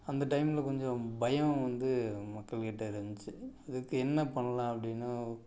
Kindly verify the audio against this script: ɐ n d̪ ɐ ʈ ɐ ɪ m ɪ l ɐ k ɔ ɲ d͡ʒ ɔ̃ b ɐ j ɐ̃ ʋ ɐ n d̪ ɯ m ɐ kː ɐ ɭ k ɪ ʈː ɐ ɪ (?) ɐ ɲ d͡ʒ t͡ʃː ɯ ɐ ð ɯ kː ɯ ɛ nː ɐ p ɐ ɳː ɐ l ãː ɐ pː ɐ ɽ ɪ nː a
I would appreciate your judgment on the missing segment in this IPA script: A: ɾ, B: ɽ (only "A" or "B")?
A